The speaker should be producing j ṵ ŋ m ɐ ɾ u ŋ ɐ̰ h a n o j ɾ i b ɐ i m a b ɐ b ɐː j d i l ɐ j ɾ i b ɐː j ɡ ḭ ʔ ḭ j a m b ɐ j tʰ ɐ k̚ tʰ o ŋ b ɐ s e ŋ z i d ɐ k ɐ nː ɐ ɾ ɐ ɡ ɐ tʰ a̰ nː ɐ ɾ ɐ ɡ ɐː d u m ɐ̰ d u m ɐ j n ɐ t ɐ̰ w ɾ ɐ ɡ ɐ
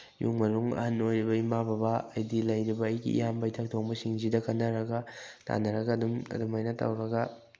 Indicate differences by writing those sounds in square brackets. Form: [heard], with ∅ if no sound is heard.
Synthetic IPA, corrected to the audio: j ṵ ŋ m ɐ ɾ u ŋ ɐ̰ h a n o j ɾ i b ɐ i m a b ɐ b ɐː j d i l ɐ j ɾ i b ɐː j ɡ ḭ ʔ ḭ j a m b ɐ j tʰ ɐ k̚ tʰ o ŋ b ɐ s [i] ŋ z i d ɐ k ɐ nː ɐ ɾ ɐ ɡ ɐ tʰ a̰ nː ɐ ɾ ɐ ɡ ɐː d u m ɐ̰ d u m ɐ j n ɐ t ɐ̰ w ɾ ɐ ɡ ɐ

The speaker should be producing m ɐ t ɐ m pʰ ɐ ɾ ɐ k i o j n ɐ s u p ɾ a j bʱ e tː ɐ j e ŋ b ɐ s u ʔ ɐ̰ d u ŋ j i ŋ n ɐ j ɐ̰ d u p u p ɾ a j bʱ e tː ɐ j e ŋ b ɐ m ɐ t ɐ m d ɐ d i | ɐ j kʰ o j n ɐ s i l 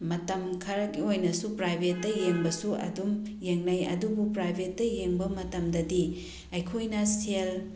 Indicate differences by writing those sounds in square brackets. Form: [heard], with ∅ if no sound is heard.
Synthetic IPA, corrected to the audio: m ɐ t ɐ m [kʰ] ɐ ɾ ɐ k i o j n ɐ s u p ɾ a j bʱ e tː ɐ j e ŋ b ɐ s u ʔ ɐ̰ d u [m] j [e] ŋ n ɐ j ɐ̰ d u [b] u p ɾ a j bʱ e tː ɐ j e ŋ b ɐ m ɐ t ɐ m d ɐ d i | ɐ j kʰ o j n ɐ s [e] l

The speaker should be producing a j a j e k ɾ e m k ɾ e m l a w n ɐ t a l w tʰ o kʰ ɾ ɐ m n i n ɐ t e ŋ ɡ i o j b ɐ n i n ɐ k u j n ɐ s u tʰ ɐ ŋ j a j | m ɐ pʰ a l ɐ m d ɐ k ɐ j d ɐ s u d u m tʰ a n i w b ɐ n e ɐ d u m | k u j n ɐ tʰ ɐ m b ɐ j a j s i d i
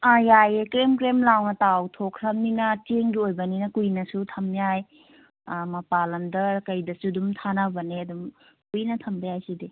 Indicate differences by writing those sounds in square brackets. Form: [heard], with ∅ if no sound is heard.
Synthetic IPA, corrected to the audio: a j a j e k ɾ e m k ɾ e m l a w n ɐ t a [∅] w tʰ o kʰ ɾ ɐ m n i n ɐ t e ŋ ɡ i o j b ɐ n i n ɐ k u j n ɐ s u tʰ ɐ [m] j a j | m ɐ [p] a l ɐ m d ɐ k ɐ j d ɐ s u d u m tʰ a n [a] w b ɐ n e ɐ d u m | k u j n ɐ tʰ ɐ m b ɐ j a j s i d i

